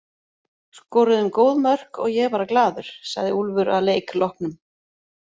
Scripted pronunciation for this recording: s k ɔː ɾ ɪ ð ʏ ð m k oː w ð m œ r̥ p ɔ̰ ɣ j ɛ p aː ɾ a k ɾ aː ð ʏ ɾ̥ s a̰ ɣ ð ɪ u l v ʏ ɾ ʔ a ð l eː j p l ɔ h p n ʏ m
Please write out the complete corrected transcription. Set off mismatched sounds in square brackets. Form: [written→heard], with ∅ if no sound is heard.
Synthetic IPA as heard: s k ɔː ɾ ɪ ð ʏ [ð→∅] m k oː w ð m œ r̥ [p→k] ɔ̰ ɣ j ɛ p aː ɾ a k [ɾ→l] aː ð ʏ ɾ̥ s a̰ ɣ ð ɪ u l v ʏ ɾ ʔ a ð l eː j [p→k] l ɔ h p n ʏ m